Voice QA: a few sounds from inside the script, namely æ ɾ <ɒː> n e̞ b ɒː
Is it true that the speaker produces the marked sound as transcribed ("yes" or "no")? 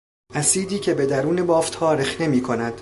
no